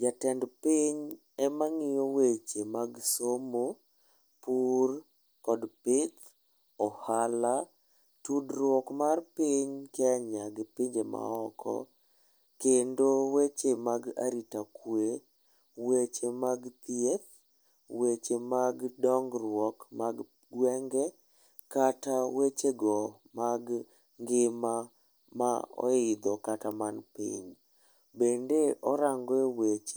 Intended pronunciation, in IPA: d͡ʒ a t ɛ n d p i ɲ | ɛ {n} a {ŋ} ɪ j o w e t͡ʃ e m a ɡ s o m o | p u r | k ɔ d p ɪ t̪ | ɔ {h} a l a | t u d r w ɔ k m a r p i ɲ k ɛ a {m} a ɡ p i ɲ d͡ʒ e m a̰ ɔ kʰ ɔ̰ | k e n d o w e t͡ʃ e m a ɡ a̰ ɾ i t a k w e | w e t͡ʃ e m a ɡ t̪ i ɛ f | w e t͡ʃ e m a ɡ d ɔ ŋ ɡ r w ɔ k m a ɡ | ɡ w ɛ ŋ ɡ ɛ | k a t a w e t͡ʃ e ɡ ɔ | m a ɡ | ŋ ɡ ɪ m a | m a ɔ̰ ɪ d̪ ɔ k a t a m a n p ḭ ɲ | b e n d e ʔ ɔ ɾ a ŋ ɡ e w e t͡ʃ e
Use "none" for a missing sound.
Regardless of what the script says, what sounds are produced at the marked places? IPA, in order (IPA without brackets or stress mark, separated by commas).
m, ŋ, h, ɲ